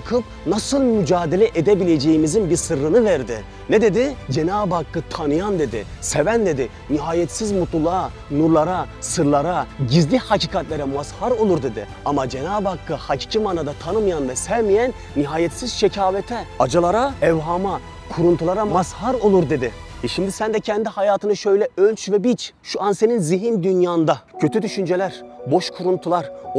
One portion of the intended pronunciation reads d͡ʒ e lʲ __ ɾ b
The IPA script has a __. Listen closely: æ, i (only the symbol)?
æ